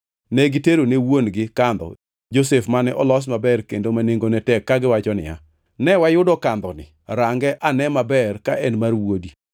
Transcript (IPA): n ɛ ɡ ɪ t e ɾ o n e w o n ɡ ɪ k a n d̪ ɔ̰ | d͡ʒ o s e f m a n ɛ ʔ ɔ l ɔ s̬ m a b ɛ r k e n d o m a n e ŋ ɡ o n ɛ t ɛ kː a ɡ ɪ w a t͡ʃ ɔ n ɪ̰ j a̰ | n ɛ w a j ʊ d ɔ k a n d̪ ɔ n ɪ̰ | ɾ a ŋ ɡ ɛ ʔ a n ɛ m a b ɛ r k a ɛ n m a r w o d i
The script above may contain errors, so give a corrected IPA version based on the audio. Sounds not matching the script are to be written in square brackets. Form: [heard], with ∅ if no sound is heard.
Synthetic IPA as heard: n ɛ ɡ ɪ t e ɾ o n e w o n ɡ ɪ k a n d̪ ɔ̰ | d͡ʒ o s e f m a n ɛ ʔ ɔ l ɔ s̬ m a b ɛ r k e n d o m a n e ŋ ɡ o n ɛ t ɛ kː a ɡ ɪ w a t͡ʃ ɔ n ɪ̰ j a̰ | n ɛ w a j ʊ d ɔ k a n d̪ ɔ n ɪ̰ | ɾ a ŋ ɡ ɛ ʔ a n ɛ m a b ɛ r k a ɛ n m a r w o d i